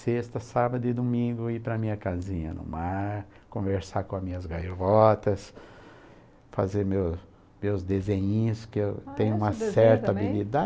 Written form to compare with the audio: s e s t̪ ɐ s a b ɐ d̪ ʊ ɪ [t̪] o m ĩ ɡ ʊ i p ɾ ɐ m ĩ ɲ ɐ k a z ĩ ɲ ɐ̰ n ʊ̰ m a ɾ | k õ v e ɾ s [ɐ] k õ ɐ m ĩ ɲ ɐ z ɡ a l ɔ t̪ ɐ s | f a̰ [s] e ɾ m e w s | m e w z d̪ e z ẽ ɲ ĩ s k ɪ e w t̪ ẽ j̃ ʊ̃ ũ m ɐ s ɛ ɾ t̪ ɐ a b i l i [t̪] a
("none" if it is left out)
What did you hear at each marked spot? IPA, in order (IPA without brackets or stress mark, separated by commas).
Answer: d̪, a, z, d̪